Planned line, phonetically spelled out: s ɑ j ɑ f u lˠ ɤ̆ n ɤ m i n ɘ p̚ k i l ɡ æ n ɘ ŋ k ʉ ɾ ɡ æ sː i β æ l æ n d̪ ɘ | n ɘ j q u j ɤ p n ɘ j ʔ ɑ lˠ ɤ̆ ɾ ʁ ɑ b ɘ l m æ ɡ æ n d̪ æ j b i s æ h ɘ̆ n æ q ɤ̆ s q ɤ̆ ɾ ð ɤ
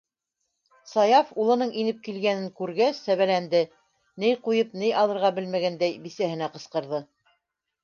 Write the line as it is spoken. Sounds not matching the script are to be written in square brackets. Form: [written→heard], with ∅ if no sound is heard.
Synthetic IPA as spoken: s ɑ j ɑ f u lˠ ɤ̆ n ɤ [m→ɴ] i n ɘ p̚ k i l ɡ æ n ɘ ŋ k ʉ ɾ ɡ æ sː [i→æ] β æ l æ n d̪ ɘ | n ɘ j q u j ɤ p n ɘ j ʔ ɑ lˠ ɤ̆ ɾ ʁ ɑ b ɘ l m æ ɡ æ n d̪ æ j b i s æ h ɘ̆ n æ q ɤ̆ s q ɤ̆ ɾ ð ɤ